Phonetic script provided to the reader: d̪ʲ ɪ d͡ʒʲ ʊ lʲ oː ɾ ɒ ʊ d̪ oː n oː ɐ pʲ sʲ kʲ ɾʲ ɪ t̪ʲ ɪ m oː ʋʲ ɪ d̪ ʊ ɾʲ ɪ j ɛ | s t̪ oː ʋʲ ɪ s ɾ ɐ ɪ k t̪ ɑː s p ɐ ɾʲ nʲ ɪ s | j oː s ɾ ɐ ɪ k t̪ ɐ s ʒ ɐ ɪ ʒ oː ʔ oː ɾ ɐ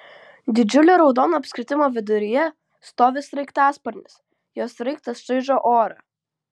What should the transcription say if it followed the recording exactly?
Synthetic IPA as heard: d̪ʲ ɪ d͡ʒʲ ʊ lʲ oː ɾ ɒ ʊ d̪ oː n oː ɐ pʲ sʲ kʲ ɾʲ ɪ t̪ʲ ɪ m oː ʋʲ ɪ d̪ ʊ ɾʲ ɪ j ɛ | s t̪ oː ʋʲ ɪ s ɾ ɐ ɪ k t̪ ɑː s p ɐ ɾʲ nʲ ɪ s | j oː s ɾ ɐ ɪ k t̪ ɐ s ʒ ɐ ɪ ʒ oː ʔ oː ɾ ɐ